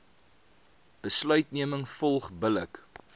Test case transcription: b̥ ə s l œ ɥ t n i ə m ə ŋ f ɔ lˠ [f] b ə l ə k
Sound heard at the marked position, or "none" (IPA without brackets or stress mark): χ